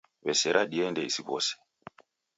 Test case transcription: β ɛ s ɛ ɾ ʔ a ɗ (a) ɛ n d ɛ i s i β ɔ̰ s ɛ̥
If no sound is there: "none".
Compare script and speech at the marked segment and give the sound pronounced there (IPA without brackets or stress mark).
i